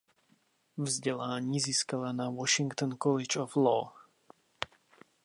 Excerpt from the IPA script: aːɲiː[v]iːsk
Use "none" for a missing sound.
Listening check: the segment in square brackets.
z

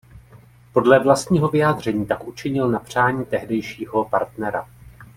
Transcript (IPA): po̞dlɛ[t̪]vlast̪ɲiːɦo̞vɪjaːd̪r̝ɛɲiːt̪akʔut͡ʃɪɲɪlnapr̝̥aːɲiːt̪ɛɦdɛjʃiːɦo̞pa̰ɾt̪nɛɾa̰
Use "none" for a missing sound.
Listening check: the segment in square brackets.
none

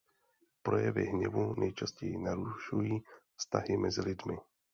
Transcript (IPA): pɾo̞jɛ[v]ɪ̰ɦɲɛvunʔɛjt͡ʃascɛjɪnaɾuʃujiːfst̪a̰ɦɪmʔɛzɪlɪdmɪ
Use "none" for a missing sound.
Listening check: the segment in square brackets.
v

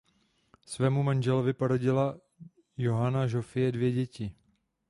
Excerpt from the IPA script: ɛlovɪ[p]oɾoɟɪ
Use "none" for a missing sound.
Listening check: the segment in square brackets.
p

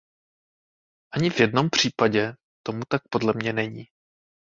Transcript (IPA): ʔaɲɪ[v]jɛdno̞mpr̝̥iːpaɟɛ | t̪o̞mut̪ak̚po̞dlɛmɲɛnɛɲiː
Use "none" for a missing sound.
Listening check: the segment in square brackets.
v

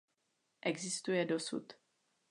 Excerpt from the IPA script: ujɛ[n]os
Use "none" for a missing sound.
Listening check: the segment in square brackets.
d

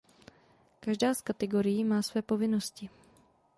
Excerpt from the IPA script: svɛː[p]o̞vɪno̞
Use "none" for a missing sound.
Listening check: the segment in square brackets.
p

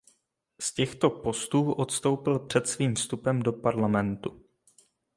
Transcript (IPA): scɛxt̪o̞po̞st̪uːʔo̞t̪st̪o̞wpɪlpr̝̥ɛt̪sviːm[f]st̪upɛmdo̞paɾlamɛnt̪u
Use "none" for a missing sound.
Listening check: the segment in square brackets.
f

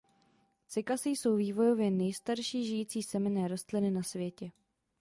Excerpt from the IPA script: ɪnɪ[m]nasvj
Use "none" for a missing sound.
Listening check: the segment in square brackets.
none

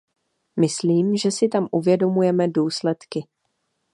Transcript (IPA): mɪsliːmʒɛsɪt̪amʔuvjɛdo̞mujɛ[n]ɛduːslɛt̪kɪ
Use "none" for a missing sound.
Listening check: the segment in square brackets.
m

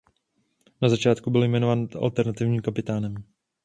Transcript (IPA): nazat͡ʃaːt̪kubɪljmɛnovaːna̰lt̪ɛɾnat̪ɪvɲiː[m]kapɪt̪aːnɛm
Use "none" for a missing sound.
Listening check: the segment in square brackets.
m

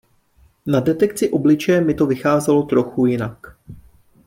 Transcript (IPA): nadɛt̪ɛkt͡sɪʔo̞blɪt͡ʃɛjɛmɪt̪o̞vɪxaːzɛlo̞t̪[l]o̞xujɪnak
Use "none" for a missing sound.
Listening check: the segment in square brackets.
ɾ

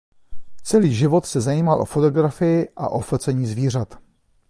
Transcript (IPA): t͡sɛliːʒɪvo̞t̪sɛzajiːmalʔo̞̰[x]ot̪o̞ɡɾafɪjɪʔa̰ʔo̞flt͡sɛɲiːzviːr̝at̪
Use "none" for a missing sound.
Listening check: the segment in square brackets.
f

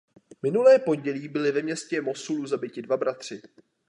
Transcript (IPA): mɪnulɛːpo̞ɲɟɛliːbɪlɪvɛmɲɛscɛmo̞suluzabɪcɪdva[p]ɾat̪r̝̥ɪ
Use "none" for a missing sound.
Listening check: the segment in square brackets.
b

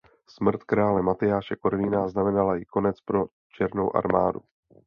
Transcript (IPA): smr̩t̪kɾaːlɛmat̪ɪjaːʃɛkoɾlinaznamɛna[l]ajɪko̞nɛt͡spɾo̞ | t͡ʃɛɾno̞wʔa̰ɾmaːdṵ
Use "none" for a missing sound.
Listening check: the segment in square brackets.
l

